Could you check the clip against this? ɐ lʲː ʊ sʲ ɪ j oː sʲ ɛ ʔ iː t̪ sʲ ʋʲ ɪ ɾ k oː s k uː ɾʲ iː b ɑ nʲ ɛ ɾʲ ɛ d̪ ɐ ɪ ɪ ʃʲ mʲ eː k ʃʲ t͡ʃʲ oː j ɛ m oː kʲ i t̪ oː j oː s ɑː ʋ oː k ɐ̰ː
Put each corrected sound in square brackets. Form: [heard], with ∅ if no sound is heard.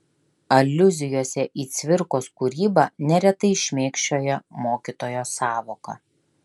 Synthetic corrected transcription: ɐ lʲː ʊ [zʲ] ɪ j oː sʲ ɛ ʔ iː t̪ sʲ ʋʲ ɪ ɾ k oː s k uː ɾʲ iː b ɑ nʲ ɛ ɾʲ ɛ [t̪] ɐ ɪ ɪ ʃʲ mʲ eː k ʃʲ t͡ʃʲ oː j ɛ m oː kʲ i t̪ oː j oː s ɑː ʋ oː k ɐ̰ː